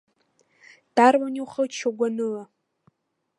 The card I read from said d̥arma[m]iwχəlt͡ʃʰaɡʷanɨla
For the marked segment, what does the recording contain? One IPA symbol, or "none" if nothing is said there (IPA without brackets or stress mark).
n